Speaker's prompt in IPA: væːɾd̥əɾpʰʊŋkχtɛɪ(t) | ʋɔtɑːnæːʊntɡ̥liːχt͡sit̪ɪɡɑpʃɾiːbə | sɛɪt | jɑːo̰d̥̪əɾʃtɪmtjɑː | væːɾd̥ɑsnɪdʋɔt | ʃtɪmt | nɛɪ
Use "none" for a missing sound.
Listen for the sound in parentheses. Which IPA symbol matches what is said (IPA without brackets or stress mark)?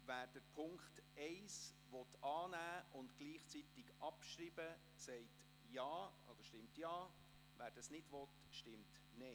s